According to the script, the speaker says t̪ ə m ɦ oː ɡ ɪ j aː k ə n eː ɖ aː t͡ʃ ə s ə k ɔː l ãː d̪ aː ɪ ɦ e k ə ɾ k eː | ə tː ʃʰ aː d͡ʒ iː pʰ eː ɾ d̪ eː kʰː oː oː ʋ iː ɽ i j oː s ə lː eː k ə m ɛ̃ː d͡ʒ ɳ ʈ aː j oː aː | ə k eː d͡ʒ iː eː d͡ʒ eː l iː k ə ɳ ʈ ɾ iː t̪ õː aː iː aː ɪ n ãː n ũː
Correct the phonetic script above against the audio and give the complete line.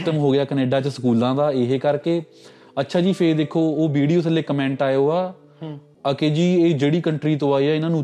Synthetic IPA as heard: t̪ ə m ɦ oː ɡ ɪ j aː k ə n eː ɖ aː t͡ʃ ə s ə k uː l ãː d̪ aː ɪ ɦ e k ə ɾ k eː | ə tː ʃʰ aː d͡ʒ iː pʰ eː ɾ d̪ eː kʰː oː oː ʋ iː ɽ i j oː s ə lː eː k ə m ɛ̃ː ɳ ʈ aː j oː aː | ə k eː d͡ʒ iː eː d͡ʒ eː ɽ iː k ə ɳ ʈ ɾ iː t̪ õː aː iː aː ɪ n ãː n ũː